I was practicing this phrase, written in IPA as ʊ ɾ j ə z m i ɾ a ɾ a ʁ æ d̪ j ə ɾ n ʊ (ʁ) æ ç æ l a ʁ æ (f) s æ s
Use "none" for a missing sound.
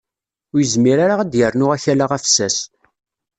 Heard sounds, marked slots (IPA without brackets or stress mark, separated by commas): ʁ, f